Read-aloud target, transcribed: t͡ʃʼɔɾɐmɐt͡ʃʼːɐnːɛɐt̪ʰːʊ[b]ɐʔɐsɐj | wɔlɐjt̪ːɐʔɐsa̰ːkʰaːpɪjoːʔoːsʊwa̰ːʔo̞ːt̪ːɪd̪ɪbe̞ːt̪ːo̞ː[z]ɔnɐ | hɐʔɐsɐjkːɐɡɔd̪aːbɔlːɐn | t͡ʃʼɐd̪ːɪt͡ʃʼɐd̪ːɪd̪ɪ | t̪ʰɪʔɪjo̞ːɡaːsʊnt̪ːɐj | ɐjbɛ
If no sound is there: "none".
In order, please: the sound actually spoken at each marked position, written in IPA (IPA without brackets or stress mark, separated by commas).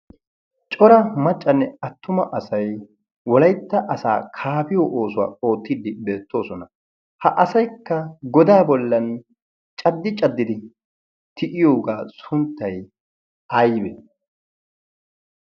m, s